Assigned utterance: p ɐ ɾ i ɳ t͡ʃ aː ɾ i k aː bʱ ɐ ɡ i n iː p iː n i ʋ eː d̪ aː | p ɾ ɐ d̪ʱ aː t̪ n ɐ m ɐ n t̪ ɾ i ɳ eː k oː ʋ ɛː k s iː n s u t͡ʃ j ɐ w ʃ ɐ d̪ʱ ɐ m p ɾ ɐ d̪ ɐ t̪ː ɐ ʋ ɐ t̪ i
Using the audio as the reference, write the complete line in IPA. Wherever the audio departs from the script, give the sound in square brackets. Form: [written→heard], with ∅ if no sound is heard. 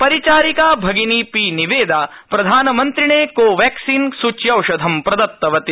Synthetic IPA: p ɐ ɾ i [ɳ→∅] t͡ʃ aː ɾ i k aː bʱ ɐ ɡ i n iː p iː n i ʋ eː d̪ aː | p ɾ ɐ d̪ʱ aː [t̪→∅] n ɐ m ɐ n t̪ ɾ i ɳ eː k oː ʋ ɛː k s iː n s u t͡ʃ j ɐ w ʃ ɐ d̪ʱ ɐ m p ɾ ɐ d̪ ɐ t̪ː ɐ ʋ ɐ t̪ i